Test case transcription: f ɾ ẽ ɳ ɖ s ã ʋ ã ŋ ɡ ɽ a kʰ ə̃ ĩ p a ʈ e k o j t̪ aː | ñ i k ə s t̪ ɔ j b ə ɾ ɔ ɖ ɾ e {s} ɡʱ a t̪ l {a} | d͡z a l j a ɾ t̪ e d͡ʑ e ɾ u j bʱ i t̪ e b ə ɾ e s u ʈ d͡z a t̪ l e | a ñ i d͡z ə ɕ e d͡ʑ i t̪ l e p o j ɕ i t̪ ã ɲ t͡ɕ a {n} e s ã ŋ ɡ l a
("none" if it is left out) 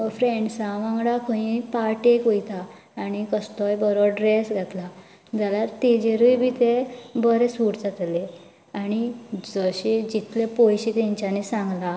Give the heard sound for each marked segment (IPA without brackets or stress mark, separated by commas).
s, a, n